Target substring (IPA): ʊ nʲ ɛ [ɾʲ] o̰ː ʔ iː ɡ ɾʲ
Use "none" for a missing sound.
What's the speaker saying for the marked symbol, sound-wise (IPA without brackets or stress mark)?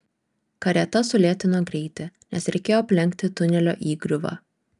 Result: lʲ